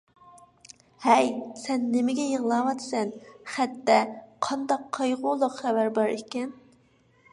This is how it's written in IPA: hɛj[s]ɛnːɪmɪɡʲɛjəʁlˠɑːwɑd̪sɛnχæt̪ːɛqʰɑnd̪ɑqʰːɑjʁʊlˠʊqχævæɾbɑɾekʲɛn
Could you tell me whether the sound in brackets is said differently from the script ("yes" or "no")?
no